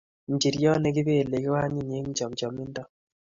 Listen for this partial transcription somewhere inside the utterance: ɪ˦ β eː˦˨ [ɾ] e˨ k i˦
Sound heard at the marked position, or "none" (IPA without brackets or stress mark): l